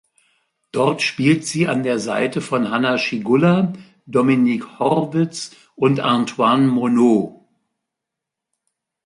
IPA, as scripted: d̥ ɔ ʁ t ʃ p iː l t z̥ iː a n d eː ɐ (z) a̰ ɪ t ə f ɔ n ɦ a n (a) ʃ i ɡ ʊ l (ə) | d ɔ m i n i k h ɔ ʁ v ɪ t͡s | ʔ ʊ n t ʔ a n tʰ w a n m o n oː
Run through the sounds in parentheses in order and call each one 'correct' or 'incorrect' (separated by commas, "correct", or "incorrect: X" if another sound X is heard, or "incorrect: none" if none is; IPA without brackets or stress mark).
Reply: correct, correct, incorrect: a